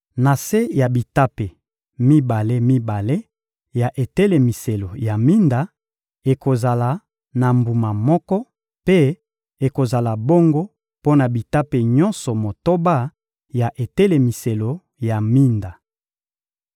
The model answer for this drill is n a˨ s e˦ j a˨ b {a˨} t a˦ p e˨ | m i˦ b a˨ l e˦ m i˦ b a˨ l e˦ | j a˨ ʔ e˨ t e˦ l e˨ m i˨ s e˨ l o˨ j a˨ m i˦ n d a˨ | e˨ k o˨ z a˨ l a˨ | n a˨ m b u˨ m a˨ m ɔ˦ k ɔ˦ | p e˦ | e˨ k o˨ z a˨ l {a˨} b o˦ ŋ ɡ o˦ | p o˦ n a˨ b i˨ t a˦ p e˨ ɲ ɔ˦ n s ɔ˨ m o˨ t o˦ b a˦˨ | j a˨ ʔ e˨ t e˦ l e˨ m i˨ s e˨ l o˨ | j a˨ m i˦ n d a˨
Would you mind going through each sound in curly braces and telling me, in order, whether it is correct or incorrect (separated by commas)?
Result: incorrect, correct